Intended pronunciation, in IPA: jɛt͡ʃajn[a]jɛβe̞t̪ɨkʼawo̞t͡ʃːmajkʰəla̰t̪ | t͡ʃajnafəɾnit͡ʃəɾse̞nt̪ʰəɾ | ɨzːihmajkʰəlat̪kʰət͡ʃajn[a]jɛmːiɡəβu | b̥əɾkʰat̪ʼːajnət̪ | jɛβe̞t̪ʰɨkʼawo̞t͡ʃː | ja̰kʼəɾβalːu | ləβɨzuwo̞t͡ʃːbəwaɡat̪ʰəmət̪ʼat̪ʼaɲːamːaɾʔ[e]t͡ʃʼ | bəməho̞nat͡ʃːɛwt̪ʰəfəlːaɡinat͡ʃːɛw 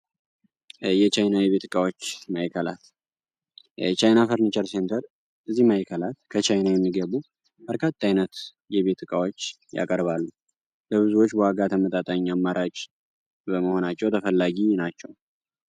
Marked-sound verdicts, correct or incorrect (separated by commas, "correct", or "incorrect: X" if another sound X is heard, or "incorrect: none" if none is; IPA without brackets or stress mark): correct, correct, incorrect: a